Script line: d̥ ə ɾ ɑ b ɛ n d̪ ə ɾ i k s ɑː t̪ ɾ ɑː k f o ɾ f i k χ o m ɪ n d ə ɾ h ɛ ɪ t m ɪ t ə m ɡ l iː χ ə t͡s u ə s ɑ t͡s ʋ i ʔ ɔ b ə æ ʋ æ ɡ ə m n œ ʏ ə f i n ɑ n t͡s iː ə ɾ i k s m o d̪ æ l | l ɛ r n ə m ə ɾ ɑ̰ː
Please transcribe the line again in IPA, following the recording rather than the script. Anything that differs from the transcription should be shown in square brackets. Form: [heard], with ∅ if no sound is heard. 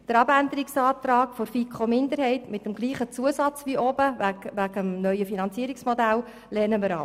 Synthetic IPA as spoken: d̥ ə ɾ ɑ b [æ] n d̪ ə ɾ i k s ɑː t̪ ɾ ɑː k f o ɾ f i k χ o m ɪ n d ə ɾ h ɛ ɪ t m ɪ t ə m ɡ l iː χ ə t͡s u ə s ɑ t͡s ʋ i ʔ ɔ b ə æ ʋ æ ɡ ə m n œ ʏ ə f i n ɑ n t͡s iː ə ɾ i k s m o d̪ æ l | l ɛ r n ə m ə ɾ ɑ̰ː